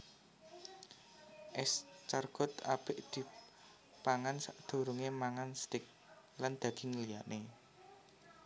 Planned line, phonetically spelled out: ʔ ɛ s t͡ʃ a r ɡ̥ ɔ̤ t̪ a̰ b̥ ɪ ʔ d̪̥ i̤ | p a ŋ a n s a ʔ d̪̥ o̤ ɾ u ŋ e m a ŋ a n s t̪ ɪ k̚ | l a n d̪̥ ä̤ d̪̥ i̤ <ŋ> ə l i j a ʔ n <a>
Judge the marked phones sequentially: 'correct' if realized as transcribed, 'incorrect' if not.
correct, incorrect: e

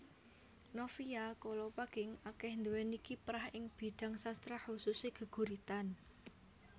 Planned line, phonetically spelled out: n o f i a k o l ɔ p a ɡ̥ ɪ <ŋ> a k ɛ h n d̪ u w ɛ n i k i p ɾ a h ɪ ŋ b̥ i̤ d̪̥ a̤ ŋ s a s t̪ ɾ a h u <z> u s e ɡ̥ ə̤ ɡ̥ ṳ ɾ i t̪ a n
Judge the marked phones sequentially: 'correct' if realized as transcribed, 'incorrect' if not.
correct, incorrect: s

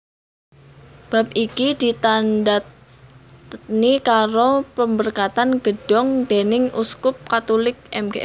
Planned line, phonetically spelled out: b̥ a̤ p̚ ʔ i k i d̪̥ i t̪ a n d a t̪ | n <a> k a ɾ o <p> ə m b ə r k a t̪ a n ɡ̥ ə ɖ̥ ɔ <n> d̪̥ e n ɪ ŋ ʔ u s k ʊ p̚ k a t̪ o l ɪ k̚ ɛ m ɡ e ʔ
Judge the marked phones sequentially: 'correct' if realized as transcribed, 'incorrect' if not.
incorrect: i, correct, incorrect: ŋ

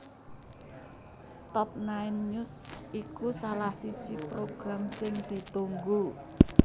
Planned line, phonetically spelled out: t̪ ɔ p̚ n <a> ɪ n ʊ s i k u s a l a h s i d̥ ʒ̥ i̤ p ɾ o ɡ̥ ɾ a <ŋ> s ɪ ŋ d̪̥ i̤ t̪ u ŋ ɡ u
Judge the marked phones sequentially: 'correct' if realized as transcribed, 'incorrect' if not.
correct, incorrect: m

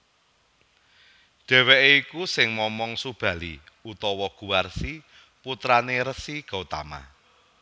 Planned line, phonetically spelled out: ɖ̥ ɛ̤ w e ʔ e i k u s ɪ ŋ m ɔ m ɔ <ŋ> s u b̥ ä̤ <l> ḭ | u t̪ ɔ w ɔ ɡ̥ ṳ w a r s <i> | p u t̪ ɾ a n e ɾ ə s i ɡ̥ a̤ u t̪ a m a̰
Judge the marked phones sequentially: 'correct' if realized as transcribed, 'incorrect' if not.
correct, correct, correct

